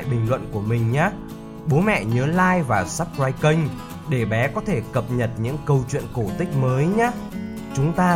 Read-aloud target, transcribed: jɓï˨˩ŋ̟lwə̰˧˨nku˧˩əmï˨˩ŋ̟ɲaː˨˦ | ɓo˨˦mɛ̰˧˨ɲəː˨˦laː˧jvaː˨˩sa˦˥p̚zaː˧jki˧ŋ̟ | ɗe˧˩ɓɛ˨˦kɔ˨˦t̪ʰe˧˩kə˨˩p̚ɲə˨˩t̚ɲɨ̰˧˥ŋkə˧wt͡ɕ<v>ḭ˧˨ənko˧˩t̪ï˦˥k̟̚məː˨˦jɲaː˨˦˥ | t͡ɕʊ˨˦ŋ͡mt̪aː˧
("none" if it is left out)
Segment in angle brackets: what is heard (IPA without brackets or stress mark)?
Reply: w